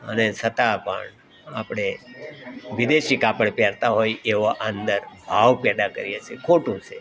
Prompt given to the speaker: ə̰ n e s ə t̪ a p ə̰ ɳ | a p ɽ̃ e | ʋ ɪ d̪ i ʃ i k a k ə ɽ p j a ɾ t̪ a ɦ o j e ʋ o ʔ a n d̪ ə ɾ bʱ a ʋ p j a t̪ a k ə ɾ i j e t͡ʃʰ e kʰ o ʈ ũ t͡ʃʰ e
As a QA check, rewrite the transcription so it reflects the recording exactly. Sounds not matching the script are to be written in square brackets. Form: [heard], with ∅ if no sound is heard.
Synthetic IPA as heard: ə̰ n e s ə t̪ a p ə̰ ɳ | a p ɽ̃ e | ʋ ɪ d̪ [e] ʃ i k a [p] ə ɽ p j a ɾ t̪ a ɦ o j e ʋ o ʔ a n d̪ ə ɾ bʱ a ʋ p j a [d̪] a k ə ɾ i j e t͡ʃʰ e kʰ o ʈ ũ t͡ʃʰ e